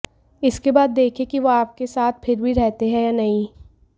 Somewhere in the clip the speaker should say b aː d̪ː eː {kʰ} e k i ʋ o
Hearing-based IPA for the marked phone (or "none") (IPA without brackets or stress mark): kʰ